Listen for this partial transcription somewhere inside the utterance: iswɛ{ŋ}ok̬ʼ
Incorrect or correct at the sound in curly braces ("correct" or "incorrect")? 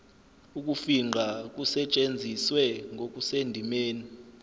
correct